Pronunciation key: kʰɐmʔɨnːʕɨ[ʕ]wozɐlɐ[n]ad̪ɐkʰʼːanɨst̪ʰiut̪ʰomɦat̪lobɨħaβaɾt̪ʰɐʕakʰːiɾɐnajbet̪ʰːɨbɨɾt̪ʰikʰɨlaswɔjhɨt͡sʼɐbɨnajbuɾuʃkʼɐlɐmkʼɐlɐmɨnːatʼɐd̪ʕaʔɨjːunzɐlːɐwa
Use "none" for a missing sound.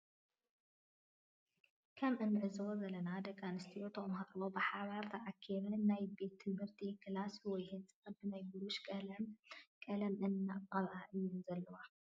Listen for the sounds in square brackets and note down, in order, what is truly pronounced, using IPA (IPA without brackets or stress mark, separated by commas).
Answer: z, n